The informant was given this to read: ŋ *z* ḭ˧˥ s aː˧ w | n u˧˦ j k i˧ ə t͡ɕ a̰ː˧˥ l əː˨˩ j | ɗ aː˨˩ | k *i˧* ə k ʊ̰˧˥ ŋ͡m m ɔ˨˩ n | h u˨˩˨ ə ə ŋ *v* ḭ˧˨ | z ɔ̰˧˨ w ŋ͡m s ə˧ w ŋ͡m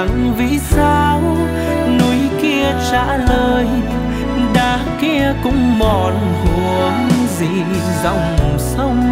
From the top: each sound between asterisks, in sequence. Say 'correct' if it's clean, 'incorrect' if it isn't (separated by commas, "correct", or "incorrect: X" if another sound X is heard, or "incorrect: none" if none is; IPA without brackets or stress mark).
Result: incorrect: v, correct, incorrect: z